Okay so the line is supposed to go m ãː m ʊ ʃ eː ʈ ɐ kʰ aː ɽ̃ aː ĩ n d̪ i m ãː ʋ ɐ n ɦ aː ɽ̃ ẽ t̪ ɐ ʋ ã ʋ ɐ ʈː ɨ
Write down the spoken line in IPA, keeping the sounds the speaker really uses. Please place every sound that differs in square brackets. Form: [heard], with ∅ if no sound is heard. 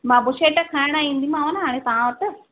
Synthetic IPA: m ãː [b] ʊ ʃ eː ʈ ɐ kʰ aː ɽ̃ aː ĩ n d̪ i m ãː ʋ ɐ n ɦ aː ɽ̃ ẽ t̪ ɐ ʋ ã ʋ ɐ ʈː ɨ